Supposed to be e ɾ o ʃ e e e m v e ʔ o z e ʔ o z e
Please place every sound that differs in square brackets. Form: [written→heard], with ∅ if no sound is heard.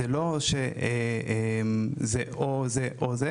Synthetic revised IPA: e [ɾ→l] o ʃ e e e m [v→z] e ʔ o z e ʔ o z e